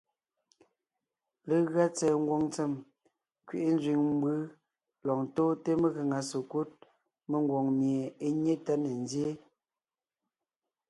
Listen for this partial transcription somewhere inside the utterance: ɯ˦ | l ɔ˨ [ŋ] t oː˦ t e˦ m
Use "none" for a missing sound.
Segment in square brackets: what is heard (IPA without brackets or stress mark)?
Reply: ŋ